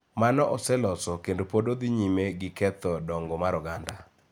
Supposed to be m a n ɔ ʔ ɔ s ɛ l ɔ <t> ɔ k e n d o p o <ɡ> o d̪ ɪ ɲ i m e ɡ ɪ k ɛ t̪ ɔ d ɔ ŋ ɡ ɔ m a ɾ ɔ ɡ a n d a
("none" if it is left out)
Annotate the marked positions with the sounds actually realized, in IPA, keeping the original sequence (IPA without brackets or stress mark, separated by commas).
s, d